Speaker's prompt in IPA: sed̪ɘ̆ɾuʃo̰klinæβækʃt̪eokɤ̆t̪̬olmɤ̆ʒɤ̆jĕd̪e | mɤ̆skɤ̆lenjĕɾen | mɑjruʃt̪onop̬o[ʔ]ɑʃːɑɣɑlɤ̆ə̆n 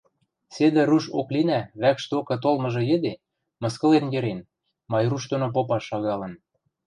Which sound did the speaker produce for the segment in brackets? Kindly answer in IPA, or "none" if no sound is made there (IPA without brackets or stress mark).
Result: p